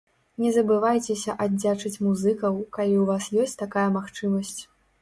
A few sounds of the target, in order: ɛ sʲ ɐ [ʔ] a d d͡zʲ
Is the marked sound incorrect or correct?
correct